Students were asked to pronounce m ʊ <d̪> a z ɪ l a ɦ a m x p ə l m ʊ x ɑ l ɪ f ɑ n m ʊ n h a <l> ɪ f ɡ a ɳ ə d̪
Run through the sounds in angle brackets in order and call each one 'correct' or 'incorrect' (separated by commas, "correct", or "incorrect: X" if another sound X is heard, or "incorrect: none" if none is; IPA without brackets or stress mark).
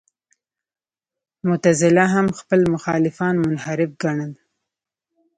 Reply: incorrect: t̪, incorrect: ɾ